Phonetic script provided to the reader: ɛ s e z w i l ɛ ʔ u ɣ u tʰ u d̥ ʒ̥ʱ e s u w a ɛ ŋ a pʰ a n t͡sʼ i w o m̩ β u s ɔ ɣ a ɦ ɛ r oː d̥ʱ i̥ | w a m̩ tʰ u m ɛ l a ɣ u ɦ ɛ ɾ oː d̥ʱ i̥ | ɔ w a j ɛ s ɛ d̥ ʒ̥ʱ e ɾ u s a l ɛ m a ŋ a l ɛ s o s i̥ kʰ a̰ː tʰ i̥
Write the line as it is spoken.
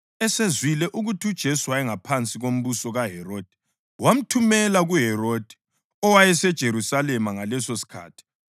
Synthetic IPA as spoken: ɛ s e z w i l ɛ ʔ u ɣ u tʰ u d̥ ʒ̥ʱ e s u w a ɛ ŋ a pʰ a n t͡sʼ i ɣ o m̩ β u s ɔ ɣ a ɦ ɛ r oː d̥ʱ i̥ | w a m̩ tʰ u m ɛ l a ɣ u ɦ ɛ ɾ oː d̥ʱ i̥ | ɔ w a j ɛ s ɛ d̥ ʒ̥ʱ e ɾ u s a l ɛ m a ŋ a l ɛ s o s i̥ kʰ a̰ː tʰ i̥